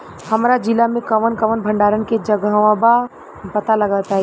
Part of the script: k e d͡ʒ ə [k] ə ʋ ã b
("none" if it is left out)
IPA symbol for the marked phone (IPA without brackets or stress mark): ɡ